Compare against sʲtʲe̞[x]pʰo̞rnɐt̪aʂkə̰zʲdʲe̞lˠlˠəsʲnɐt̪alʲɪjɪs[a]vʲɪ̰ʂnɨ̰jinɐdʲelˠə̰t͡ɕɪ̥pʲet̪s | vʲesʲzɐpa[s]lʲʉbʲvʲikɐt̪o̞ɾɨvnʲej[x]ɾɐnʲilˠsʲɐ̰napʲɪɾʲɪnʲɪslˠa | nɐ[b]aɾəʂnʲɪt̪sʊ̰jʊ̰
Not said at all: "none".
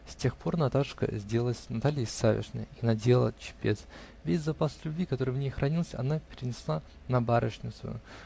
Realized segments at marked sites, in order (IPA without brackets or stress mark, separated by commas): x, a, s, x, b